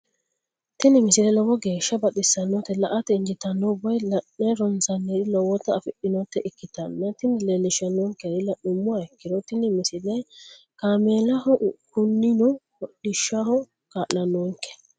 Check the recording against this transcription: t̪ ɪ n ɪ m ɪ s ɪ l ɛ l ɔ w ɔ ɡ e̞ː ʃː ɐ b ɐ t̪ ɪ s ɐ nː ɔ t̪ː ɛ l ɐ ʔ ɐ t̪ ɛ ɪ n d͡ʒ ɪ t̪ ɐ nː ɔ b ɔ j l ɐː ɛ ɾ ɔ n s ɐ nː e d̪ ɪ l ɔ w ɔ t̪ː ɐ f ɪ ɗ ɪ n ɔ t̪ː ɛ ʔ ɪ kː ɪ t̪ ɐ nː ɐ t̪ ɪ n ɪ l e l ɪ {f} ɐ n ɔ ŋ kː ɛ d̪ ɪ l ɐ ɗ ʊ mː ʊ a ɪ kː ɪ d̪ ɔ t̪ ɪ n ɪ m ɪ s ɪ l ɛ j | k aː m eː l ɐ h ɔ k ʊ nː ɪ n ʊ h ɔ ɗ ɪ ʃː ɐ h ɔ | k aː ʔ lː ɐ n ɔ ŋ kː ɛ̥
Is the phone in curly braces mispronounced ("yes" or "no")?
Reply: yes